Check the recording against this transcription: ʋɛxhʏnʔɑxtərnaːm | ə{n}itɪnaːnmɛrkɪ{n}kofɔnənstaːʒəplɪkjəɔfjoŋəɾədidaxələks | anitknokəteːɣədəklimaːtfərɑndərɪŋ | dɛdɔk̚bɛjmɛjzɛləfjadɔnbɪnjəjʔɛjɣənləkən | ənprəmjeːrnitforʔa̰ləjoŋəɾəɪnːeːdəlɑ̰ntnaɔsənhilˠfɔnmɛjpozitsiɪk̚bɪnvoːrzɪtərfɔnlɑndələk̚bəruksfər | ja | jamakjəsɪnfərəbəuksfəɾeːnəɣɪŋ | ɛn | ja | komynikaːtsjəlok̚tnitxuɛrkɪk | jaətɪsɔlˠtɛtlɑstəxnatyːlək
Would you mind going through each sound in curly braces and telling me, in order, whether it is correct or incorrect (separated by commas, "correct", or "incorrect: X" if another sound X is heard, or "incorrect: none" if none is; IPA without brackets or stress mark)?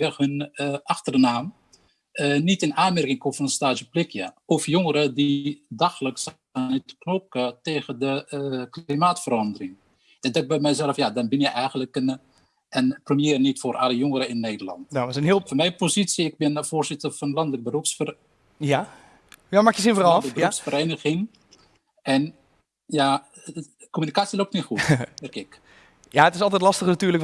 correct, incorrect: ŋ